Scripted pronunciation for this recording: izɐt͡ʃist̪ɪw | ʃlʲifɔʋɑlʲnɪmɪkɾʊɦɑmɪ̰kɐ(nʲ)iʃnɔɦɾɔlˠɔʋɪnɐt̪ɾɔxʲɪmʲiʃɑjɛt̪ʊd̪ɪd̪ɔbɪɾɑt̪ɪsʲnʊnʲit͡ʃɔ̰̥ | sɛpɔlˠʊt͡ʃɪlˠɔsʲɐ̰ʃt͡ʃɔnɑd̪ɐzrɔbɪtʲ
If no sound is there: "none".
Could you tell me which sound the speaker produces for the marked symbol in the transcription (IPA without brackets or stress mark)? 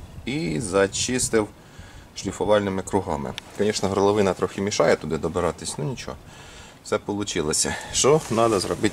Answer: nʲ